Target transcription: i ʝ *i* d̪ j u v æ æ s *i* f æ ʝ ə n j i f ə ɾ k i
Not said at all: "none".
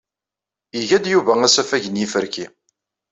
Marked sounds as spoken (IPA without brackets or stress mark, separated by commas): æ, æ